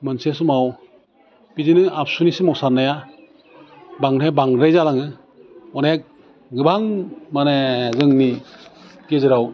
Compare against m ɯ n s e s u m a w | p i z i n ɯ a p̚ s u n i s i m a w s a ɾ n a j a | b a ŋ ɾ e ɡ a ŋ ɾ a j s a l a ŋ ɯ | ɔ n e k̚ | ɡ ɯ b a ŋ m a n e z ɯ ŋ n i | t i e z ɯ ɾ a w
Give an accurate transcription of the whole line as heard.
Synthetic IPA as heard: m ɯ n s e s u m a w | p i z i n ɯ a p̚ s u n i s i m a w s a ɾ n a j a | b a ŋ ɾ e b a ŋ ɾ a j z a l a ŋ ɯ | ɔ n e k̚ | ɡ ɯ b a ŋ m a n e z ɯ ŋ n i | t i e z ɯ ɾ a w